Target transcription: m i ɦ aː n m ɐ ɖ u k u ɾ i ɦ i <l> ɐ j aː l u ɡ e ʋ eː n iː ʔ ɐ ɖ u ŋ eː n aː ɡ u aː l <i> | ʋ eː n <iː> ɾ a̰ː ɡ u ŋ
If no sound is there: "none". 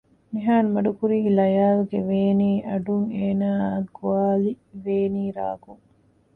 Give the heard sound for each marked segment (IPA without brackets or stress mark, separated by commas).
l, i, iː